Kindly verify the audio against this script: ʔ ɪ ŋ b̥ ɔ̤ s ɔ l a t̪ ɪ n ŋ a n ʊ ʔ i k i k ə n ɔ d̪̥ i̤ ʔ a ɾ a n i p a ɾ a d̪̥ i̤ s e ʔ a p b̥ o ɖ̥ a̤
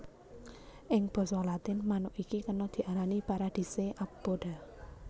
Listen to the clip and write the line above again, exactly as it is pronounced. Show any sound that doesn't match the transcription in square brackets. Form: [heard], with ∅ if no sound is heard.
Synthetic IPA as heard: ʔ ɪ ŋ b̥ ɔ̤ s ɔ l a t̪ ɪ n [m] a n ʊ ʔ i k i k ə n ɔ d̪̥ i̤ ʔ a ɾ a n i p a ɾ a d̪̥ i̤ s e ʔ a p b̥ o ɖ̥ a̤